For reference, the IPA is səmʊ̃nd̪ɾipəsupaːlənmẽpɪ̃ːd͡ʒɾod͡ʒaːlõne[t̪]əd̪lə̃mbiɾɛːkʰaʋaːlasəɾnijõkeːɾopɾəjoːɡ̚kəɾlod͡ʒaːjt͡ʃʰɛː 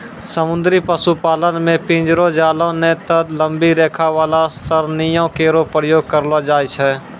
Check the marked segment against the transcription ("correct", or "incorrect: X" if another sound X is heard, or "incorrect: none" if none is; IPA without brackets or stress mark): correct